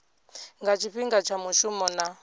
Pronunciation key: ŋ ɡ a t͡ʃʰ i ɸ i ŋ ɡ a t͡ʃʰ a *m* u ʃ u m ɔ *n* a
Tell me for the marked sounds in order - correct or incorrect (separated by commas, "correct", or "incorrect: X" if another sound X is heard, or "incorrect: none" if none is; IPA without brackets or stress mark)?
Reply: correct, correct